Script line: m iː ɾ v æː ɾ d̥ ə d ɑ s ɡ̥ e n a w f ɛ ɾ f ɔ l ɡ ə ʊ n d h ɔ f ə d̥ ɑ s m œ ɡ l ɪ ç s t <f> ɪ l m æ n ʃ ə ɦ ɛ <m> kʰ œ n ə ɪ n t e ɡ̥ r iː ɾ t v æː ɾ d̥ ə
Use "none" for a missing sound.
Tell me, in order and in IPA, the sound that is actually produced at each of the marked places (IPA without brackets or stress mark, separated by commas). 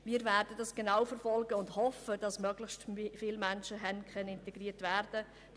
f, n